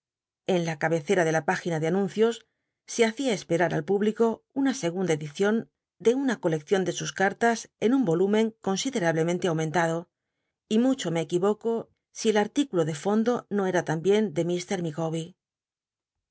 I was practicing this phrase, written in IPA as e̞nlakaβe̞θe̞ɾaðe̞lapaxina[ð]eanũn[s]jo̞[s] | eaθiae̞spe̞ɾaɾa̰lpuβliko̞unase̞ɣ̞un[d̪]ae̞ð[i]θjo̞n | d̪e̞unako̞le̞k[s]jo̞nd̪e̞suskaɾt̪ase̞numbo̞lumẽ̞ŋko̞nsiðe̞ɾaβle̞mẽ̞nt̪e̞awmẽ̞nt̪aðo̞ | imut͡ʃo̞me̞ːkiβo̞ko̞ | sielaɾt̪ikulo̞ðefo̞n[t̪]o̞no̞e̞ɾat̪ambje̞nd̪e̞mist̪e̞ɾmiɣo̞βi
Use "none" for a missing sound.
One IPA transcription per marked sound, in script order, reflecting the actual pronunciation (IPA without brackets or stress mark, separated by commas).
ð, θ, sː, d̪, i, θ, d̪